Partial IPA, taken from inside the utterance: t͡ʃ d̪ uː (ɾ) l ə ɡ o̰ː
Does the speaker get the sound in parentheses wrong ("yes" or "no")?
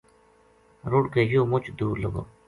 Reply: no